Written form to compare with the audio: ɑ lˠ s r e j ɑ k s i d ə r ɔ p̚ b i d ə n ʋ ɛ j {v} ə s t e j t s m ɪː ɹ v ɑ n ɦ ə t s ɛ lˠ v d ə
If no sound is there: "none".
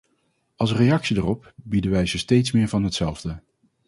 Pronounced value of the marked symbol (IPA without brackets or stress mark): z